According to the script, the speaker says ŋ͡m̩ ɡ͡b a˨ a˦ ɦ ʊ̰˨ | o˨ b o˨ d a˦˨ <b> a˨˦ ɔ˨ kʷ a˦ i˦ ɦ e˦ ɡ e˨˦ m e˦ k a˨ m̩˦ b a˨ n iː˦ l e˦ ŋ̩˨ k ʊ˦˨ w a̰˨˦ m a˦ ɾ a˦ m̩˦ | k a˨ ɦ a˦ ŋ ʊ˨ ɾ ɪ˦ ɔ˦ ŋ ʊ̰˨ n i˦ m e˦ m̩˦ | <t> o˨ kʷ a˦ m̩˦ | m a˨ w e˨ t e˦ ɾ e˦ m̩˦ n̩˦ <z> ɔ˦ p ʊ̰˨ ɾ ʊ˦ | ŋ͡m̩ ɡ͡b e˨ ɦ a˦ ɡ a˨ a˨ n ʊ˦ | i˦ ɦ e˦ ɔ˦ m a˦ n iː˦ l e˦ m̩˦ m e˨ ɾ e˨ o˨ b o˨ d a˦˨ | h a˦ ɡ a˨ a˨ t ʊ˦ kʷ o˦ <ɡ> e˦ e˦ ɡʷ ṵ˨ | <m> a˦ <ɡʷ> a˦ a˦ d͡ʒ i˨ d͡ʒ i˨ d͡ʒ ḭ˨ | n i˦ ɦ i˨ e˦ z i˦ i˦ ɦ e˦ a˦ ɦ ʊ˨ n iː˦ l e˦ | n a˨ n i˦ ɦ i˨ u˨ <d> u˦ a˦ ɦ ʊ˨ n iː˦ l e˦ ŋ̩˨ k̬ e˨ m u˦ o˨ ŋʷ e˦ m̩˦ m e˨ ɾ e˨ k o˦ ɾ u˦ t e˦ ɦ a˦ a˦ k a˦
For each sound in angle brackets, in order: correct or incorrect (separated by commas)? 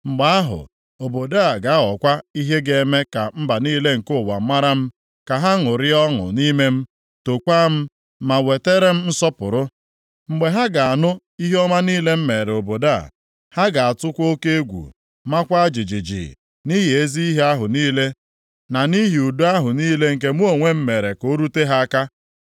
incorrect, correct, incorrect, incorrect, correct, incorrect, correct